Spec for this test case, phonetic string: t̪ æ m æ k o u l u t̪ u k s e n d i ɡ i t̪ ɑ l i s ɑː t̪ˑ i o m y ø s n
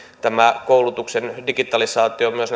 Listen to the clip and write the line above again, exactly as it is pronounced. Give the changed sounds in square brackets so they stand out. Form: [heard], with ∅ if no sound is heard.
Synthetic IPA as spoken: t̪ æ m æ k o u l u t̪ u k s e n d i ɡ i t̪ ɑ l i s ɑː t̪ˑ i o m y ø s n